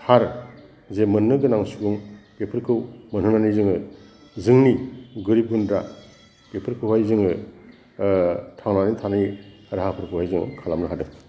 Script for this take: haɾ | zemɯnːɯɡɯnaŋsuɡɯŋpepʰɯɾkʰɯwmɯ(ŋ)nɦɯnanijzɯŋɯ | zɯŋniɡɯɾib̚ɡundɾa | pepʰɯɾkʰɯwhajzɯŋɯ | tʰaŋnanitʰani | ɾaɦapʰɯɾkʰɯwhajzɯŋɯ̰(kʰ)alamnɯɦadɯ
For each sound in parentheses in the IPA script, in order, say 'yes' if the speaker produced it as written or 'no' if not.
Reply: no, yes

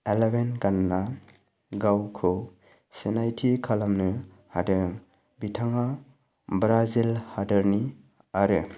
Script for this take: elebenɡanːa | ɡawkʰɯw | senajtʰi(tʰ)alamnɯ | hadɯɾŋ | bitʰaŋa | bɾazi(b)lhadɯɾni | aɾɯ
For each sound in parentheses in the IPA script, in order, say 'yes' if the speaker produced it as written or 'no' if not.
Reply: no, no

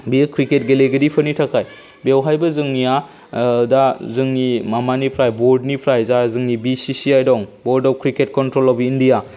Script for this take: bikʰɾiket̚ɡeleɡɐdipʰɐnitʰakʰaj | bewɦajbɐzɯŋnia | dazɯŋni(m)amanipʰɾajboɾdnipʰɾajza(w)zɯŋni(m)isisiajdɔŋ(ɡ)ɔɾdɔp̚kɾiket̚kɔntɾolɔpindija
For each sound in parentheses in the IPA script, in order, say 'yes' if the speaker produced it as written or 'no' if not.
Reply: yes, no, no, no

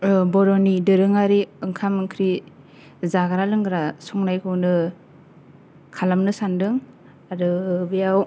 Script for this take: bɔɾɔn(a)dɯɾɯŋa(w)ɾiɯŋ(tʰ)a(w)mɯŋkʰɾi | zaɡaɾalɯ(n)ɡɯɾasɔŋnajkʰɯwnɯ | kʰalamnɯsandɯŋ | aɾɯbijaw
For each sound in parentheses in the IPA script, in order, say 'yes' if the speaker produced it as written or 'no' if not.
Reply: no, no, no, no, no

